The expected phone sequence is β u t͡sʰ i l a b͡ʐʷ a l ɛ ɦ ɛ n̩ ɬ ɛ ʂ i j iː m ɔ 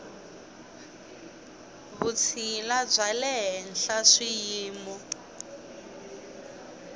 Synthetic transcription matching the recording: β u t͡sʰ i l a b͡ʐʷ a l ɛ ɦ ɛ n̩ ɬ a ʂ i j iː m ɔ